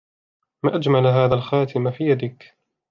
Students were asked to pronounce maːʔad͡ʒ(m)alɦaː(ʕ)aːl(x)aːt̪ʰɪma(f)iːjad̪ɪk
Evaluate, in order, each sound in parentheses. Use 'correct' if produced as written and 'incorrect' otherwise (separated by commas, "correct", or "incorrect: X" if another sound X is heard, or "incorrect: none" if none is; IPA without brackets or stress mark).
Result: correct, incorrect: ð, correct, correct